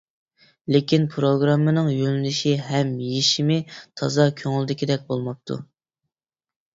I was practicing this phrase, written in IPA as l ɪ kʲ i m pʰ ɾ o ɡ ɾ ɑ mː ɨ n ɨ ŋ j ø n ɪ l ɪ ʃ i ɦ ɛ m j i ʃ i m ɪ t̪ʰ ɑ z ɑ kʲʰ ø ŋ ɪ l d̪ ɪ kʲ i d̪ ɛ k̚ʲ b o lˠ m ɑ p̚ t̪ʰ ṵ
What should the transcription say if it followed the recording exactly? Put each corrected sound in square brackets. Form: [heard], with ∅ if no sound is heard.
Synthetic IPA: l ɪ kʲ i [n] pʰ ɾ o ɡ ɾ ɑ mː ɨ n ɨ ŋ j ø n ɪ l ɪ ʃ i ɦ ɛ m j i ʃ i m ɪ t̪ʰ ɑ z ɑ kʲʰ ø ŋ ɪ l d̪ ɪ kʲ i d̪ ɛ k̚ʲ b o lˠ m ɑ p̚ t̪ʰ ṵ